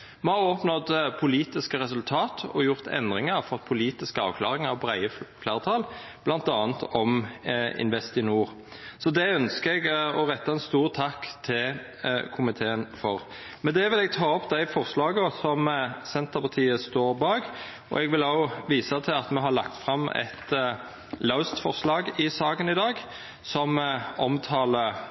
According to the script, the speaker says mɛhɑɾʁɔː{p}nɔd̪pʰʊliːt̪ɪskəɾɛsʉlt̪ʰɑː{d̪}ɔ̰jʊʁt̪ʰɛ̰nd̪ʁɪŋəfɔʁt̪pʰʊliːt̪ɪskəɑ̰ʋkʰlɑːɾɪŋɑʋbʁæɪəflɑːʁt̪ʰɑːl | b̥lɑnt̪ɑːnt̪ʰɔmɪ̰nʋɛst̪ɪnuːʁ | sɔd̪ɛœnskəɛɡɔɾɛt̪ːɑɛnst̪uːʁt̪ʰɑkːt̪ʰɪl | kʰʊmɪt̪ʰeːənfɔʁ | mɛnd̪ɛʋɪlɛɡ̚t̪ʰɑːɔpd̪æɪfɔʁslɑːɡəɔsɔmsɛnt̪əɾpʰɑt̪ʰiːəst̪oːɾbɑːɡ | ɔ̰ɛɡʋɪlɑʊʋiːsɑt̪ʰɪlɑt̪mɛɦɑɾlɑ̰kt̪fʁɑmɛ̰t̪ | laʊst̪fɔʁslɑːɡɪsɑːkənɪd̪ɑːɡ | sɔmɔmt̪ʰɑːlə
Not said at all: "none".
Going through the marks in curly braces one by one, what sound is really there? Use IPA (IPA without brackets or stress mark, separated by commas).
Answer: p, t̪